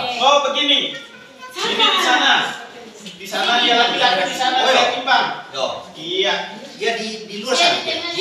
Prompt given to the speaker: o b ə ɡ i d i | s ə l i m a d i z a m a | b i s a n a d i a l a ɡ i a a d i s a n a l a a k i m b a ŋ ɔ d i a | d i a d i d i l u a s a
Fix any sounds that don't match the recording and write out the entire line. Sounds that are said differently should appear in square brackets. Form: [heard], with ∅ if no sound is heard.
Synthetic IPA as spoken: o b ə ɡ i [n] i | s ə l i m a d i [s] a [n] a | [d] i s a n a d i a l a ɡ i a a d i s a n a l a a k i m b a ŋ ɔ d i a | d i a d i d i l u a s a